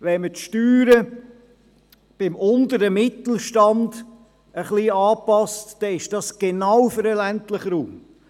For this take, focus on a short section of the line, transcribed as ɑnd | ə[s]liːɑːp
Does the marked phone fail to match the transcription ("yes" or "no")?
yes